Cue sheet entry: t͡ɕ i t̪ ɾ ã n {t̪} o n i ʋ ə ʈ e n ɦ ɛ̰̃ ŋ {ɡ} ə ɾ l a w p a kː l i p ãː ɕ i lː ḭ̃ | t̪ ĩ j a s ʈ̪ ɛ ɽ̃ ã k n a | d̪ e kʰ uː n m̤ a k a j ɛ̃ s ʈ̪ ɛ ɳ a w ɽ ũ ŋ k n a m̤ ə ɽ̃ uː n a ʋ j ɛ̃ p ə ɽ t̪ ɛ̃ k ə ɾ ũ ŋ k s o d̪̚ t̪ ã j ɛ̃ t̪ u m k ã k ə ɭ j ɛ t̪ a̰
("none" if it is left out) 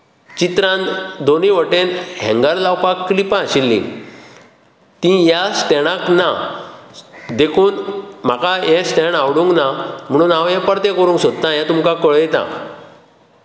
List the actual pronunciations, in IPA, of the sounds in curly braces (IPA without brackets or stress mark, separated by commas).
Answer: d̪, ɡ